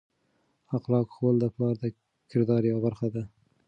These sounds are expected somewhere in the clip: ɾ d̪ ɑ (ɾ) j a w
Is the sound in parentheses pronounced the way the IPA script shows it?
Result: yes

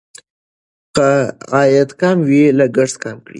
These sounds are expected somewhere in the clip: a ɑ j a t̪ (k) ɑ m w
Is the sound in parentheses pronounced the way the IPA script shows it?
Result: yes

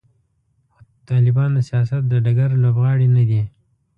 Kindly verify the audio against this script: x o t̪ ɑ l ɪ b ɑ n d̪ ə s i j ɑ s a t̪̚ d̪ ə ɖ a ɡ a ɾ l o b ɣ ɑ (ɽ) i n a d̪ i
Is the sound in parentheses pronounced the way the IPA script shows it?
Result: yes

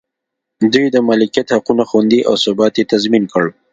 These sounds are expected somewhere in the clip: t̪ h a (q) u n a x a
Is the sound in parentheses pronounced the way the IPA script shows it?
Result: yes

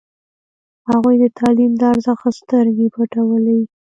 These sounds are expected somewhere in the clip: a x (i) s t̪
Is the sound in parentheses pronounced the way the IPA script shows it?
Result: no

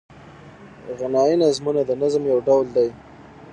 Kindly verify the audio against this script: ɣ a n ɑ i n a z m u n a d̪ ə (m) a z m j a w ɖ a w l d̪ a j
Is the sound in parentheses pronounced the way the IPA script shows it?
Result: no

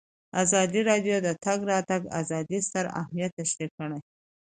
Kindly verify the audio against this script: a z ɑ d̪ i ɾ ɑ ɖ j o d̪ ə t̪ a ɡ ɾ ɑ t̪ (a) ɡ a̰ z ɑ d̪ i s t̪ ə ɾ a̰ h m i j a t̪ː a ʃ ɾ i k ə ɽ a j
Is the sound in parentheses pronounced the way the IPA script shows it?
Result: yes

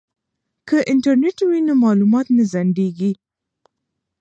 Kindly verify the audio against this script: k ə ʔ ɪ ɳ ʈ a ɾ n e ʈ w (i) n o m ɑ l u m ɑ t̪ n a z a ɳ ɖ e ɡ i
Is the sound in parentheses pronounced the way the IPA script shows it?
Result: yes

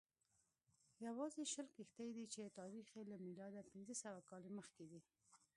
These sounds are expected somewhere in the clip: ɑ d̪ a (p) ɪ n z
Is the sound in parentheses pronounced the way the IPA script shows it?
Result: yes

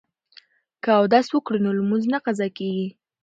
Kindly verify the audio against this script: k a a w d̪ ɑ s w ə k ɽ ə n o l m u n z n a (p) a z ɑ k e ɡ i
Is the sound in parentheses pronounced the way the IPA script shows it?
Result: no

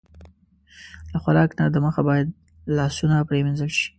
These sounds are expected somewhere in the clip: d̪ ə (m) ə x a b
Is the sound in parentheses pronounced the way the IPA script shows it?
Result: yes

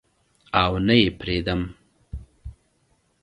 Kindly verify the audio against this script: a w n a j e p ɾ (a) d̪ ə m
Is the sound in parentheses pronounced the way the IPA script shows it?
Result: no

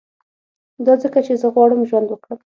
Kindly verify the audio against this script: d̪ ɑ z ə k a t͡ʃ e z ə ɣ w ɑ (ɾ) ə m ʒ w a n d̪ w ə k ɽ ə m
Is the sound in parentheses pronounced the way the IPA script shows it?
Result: no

